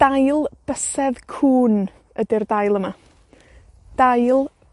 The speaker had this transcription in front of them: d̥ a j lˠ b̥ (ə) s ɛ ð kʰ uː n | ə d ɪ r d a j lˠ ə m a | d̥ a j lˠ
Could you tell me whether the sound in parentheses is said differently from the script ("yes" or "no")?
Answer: no